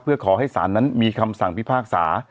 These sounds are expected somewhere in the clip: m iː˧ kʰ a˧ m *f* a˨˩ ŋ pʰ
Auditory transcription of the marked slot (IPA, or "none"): s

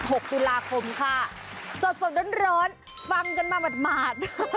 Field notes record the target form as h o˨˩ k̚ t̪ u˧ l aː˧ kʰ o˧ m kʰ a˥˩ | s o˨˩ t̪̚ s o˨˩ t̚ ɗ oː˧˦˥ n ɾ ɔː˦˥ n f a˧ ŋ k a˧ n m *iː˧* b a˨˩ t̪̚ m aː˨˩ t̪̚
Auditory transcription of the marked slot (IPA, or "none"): aː˧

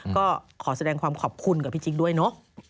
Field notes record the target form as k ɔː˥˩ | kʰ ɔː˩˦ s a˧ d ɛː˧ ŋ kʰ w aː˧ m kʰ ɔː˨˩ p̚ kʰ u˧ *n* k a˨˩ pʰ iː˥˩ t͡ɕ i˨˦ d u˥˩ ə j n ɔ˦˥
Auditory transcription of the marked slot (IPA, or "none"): n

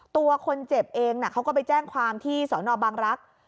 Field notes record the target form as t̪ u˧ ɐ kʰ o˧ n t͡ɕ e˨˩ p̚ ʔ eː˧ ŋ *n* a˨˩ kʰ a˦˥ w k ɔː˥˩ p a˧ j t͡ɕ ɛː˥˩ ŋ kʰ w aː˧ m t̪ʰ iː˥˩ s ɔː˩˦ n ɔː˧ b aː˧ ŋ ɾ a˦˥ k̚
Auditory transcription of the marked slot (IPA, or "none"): n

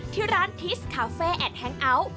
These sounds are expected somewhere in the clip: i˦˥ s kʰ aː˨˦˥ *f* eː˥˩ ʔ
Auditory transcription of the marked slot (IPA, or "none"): f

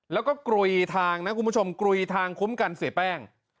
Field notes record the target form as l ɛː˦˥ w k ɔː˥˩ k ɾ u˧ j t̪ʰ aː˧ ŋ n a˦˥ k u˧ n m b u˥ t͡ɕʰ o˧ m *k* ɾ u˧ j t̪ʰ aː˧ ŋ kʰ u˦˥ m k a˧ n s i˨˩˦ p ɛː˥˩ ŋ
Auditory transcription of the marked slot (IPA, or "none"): k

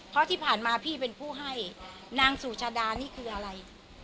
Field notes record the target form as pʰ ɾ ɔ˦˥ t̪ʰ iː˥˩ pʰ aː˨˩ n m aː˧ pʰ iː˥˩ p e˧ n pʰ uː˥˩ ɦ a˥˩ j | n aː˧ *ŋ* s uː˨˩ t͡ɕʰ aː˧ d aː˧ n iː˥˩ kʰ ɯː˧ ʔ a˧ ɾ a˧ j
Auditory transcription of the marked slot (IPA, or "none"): ŋ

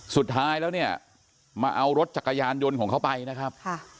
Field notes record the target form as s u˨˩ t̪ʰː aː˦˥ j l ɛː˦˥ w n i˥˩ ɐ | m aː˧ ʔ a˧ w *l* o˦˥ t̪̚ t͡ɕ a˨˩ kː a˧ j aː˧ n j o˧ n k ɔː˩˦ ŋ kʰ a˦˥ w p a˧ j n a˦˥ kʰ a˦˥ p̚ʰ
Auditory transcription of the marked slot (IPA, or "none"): ɾ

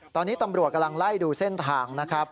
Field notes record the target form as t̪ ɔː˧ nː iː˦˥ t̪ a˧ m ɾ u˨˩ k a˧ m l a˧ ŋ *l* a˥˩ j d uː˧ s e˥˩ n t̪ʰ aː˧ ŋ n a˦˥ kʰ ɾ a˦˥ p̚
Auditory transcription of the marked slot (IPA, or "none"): l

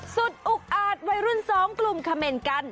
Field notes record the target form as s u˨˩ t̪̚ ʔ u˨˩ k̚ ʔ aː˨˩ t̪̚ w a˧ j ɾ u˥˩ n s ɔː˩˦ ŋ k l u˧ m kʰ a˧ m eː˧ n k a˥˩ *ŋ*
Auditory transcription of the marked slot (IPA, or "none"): n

